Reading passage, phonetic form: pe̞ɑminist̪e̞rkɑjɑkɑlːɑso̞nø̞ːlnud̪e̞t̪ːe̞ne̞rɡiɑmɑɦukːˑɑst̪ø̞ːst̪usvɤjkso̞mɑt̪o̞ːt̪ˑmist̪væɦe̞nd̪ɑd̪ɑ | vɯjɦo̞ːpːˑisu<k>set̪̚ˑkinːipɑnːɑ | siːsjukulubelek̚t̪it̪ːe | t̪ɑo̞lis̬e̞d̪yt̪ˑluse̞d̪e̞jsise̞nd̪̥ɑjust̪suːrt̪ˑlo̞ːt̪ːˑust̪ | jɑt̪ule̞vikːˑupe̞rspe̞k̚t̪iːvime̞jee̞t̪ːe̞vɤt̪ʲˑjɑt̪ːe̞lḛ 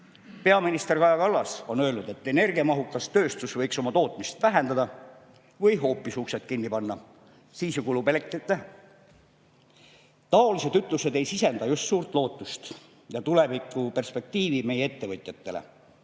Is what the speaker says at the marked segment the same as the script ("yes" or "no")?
yes